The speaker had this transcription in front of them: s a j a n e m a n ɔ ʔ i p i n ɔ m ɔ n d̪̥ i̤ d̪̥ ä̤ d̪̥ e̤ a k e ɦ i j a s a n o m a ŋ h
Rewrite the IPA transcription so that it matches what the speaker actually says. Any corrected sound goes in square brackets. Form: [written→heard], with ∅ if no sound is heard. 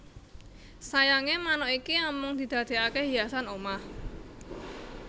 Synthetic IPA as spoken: s a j a [n→ŋ] e m a n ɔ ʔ i [p→k] i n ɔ m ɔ [n→ŋ] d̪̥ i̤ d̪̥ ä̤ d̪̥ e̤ a k e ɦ i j a s a n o m a [ŋ→∅] h

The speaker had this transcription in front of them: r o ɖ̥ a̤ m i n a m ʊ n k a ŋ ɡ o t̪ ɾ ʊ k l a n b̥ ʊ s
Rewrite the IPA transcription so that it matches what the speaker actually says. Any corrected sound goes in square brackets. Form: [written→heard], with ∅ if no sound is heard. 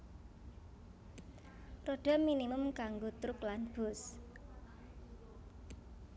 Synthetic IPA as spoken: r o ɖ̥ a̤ m i n [a→i] m ʊ [n→m] k a ŋ ɡ o t̪ ɾ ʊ k l a n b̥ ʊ s

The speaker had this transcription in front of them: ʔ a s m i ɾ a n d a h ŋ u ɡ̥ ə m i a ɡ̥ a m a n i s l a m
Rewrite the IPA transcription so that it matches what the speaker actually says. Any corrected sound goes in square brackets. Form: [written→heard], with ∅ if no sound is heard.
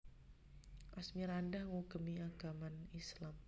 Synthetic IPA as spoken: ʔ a s m i ɾ a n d a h ŋ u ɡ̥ ə m i a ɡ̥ a m a n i s l a m

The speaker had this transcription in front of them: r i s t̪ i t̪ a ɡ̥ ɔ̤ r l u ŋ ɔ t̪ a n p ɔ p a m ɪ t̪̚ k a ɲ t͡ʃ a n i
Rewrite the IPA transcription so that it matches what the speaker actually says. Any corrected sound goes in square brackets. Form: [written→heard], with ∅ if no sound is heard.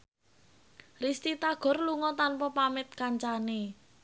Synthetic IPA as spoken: r i s t̪ i t̪ a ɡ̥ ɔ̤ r l u ŋ ɔ t̪ a n p ɔ p a m ɪ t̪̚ k a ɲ t͡ʃ a n [i→e]

